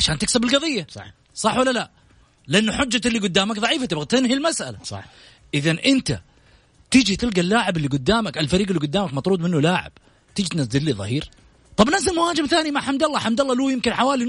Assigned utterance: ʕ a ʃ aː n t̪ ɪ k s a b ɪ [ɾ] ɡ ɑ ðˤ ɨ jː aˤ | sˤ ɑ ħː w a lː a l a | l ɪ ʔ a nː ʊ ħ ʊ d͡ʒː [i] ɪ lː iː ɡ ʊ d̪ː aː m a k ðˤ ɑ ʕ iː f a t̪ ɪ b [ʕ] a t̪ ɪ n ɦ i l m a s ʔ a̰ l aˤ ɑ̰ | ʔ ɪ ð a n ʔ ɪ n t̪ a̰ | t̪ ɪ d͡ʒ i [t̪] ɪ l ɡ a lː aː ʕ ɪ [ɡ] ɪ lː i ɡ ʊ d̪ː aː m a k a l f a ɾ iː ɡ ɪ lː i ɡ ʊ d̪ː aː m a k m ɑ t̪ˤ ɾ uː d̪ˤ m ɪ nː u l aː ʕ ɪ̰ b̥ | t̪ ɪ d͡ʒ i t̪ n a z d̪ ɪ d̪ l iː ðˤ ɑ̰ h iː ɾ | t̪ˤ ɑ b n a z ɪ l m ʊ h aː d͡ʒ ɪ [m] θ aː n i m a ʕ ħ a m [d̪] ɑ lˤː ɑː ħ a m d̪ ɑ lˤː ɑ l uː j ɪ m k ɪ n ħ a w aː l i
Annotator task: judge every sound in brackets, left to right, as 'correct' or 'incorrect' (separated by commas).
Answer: incorrect, incorrect, incorrect, correct, incorrect, correct, correct